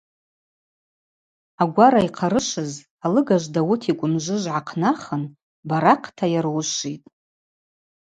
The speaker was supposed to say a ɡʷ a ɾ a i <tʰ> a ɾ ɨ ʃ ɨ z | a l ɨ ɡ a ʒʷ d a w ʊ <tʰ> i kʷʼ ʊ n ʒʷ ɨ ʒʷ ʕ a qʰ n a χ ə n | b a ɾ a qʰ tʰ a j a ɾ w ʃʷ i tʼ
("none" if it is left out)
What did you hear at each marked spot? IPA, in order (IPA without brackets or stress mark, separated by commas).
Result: qʰ, tʰ